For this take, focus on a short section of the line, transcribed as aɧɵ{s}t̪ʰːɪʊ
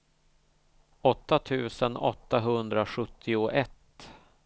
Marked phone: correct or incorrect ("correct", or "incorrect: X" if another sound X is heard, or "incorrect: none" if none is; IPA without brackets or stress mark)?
incorrect: none